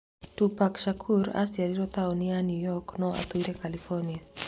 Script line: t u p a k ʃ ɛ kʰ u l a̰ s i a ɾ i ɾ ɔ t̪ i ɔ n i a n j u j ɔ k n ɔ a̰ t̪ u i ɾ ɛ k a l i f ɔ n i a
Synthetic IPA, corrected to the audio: t u p a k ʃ a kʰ u ɾ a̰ s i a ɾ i ɾ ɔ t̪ a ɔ n i a n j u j ɔ k n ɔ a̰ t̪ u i ɾ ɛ k a l i f ɔ n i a